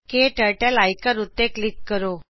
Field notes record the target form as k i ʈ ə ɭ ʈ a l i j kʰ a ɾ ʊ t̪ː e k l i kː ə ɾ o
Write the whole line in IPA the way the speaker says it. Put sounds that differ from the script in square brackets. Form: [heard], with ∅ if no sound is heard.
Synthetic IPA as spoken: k [e] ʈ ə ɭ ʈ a l [a] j [k] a ɾ [u] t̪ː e k l i kː ə ɾ o